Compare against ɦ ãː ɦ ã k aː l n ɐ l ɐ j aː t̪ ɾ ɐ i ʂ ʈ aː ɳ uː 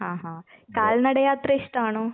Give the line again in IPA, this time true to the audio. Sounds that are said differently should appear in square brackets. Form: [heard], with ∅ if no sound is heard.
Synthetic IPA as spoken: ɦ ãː ɦ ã k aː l n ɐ [ɽ] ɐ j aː t̪ ɾ ɐ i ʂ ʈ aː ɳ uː